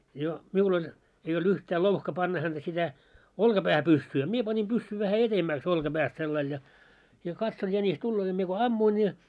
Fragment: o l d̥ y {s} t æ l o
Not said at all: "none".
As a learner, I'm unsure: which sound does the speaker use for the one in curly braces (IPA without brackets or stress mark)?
h